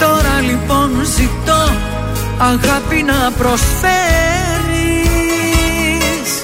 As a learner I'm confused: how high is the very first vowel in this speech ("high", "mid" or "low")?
mid